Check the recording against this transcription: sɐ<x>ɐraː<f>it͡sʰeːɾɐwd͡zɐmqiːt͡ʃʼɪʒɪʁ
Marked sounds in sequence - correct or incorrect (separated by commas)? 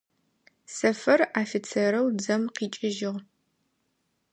incorrect, correct